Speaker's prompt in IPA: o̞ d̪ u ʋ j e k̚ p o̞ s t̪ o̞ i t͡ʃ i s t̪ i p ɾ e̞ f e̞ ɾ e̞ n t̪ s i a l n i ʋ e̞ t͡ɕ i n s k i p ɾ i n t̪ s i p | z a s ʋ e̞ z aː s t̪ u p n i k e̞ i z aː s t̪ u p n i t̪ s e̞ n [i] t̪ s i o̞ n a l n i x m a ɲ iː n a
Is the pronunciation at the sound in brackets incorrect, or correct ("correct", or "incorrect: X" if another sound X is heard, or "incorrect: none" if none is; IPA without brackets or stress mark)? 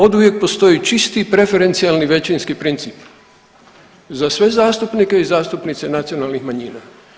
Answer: incorrect: a